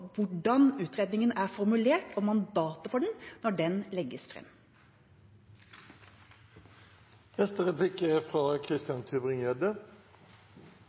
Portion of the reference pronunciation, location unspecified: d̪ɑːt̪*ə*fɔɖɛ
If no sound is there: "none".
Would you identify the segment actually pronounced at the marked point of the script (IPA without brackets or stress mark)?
ə